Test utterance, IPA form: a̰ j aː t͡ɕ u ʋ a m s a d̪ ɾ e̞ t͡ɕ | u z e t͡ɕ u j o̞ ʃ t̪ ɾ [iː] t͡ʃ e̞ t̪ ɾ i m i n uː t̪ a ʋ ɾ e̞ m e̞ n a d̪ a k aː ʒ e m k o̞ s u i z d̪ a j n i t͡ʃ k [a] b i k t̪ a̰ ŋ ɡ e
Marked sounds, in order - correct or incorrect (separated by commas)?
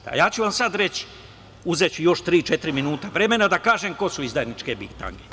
correct, incorrect